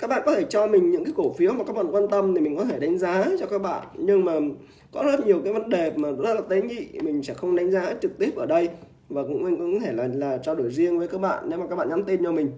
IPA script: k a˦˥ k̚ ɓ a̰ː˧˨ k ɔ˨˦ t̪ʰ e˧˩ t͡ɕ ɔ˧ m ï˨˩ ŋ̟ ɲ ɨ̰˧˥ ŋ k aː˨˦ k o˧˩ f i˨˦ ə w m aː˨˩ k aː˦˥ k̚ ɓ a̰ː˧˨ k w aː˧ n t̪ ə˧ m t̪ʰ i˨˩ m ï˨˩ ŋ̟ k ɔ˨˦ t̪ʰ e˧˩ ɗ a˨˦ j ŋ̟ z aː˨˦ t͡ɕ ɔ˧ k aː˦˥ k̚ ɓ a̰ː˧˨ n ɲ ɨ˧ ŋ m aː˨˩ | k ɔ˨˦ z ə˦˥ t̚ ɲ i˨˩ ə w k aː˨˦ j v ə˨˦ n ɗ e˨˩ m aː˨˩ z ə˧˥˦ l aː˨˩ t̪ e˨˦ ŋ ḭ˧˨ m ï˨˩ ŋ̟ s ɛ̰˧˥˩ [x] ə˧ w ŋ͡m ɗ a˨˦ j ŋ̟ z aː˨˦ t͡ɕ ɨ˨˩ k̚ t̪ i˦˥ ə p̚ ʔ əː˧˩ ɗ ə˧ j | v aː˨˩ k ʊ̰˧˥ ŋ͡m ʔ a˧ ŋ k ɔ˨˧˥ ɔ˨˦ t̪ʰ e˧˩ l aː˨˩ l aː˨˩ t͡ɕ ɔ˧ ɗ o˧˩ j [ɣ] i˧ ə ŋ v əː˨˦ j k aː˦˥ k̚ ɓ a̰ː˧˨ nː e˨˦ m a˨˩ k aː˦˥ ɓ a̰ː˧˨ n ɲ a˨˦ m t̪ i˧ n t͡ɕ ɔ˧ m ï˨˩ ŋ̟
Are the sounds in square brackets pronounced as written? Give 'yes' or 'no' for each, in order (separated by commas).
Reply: yes, no